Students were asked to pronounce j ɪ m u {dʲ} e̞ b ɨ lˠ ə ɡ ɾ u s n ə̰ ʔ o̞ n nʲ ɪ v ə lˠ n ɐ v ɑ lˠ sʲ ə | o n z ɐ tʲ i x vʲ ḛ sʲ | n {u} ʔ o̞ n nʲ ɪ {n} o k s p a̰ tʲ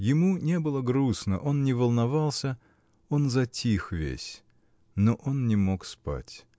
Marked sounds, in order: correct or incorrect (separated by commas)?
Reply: incorrect, incorrect, incorrect